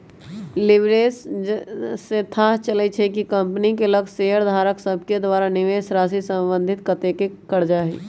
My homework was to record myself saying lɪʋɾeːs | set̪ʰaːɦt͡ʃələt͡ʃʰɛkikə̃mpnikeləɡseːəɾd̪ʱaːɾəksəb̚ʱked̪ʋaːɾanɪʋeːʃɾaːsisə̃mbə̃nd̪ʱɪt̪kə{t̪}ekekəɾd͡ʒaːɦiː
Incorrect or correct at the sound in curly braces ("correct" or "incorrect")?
correct